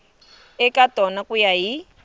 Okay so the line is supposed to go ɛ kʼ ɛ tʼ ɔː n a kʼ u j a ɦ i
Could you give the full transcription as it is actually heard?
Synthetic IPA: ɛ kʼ a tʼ ɔ n a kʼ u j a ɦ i